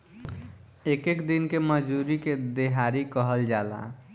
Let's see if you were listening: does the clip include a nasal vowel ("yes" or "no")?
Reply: no